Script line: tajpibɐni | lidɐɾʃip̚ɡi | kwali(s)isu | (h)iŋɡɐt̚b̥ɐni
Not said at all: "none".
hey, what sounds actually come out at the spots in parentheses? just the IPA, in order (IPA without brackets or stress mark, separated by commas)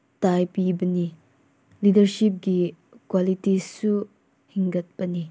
t, h